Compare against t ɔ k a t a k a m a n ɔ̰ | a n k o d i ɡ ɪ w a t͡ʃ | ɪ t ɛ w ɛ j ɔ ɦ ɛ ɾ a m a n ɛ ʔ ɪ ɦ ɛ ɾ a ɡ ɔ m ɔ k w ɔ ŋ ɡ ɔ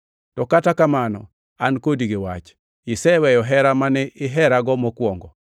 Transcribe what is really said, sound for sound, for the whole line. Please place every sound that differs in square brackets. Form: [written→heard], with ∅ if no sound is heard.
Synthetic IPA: t ɔ k a t a k a m a n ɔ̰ | a n k o d i ɡ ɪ w a t͡ʃ | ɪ [t→s] ɛ w ɛ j ɔ ɦ ɛ ɾ a m a n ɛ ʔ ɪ ɦ ɛ ɾ a ɡ ɔ m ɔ k w ɔ ŋ ɡ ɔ